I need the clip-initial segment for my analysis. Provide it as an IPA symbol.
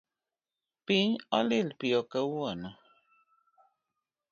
p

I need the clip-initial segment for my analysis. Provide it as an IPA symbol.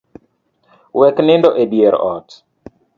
w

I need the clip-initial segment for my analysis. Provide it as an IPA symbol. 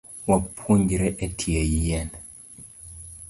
w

